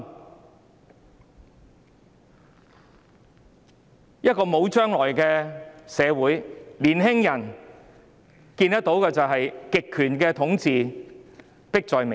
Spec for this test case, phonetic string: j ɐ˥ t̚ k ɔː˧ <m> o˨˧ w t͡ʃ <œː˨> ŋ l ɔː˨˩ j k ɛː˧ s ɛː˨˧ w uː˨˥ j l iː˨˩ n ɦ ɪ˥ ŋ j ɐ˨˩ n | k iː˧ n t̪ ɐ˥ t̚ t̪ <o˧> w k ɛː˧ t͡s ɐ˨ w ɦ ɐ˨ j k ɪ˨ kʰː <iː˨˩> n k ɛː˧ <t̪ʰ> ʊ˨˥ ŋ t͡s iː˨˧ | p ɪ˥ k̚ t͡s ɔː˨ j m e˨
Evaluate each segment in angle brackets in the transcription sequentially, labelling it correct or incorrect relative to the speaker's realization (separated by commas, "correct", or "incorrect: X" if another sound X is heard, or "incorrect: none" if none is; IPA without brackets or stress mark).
correct, incorrect: œː˥, incorrect: o˨˥, incorrect: yː˨˩, correct